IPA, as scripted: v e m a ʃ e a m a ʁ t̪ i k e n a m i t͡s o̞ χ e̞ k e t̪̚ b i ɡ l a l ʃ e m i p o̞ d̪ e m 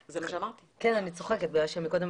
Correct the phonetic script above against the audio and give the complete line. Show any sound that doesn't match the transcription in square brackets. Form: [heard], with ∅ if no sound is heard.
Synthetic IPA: [z] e m a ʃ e a m a ʁ t̪ i k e n a [n] i t͡s o̞ χ e̞ k e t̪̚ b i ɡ l a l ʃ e m i [k] o̞ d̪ e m